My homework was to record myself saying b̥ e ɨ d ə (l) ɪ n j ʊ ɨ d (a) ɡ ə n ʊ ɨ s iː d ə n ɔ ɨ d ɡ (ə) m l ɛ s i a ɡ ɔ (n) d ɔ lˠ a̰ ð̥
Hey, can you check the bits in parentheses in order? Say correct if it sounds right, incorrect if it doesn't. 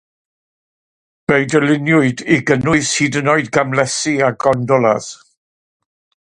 correct, incorrect, incorrect, correct

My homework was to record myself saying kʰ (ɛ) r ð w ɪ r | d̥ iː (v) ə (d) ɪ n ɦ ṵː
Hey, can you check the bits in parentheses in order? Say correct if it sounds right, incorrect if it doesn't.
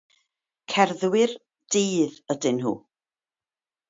correct, incorrect, correct

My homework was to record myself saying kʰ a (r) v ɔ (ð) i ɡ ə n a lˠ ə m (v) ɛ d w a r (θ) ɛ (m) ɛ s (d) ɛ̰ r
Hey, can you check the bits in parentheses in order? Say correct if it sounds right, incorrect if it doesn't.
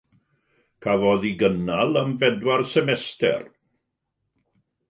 incorrect, correct, correct, incorrect, correct, incorrect

